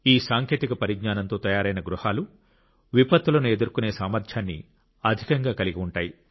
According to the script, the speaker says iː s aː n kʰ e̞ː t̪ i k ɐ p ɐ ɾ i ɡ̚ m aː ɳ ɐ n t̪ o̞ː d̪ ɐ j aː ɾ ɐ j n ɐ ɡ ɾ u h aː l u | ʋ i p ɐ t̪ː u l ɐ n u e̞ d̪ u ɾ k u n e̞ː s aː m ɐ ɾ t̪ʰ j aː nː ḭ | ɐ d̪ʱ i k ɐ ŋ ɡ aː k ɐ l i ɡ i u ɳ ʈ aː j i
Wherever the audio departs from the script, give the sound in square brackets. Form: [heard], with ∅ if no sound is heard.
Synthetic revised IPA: iː s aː [ŋ] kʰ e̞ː t̪ i k ɐ p ɐ ɾ i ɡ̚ [ɲ] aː [n] ɐ n t̪ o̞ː [t̪] ɐ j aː ɾ ɐ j n ɐ ɡ ɾ u h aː l u | ʋ i p ɐ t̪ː u l ɐ n u e̞ d̪ u ɾ k u n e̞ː s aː m ɐ ɾ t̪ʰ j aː nː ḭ | ɐ d̪ʱ i k ɐ ŋ ɡ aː k ɐ l i ɡ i u ɳ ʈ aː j i